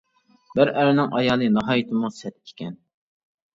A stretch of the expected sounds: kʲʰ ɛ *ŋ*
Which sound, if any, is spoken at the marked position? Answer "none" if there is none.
n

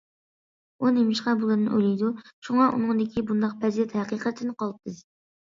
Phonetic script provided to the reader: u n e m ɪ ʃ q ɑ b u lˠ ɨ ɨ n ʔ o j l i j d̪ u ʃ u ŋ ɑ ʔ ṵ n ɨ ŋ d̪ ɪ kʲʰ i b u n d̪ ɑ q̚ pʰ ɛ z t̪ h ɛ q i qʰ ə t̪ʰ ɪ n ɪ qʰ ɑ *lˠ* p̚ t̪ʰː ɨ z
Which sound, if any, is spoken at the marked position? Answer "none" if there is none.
lˠ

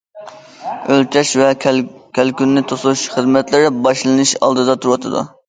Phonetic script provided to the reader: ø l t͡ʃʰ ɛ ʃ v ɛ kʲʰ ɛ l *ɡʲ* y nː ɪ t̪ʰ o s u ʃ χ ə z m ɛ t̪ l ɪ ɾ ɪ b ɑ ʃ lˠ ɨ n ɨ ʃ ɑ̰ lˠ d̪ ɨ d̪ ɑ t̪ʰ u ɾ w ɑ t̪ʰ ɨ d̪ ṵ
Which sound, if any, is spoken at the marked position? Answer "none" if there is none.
kʲ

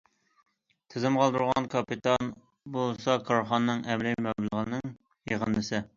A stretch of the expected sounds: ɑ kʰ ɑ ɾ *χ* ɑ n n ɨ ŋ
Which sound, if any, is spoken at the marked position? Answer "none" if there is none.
χ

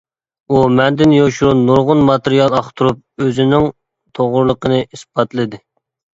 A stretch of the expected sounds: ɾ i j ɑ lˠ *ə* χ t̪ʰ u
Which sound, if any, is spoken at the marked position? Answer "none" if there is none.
ɑ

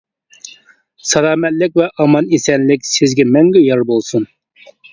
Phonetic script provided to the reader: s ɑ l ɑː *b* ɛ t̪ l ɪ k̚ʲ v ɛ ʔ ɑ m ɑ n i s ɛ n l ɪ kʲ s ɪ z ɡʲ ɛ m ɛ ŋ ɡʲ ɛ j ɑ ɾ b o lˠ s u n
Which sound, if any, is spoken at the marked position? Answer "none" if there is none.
m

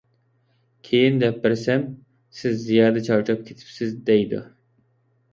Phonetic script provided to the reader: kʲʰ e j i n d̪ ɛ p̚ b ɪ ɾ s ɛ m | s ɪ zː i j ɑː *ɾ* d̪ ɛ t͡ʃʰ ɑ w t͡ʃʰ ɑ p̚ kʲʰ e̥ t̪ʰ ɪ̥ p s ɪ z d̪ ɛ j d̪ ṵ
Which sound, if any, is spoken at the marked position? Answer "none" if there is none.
none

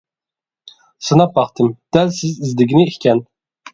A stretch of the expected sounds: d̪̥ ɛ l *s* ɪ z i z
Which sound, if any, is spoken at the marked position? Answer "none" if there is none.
s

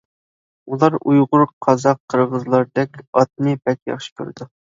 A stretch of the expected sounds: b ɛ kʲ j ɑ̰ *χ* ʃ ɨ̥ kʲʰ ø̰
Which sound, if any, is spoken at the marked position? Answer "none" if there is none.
χ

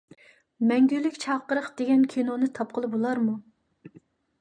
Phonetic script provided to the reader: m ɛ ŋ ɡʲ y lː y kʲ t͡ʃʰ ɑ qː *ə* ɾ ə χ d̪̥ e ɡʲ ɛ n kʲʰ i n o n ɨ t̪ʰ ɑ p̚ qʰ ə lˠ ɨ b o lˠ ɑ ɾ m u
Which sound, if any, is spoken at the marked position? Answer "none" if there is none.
ə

